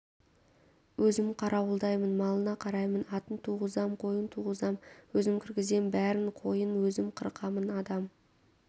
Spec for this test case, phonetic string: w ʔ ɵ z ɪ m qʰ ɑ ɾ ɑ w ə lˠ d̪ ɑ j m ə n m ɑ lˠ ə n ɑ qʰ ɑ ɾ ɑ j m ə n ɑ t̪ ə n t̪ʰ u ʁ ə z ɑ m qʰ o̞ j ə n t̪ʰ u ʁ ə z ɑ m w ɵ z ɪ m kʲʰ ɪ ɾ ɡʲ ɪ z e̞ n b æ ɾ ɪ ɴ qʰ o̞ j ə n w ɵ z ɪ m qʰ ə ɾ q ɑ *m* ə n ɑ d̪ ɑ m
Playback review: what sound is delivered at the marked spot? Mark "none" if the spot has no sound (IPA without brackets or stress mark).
m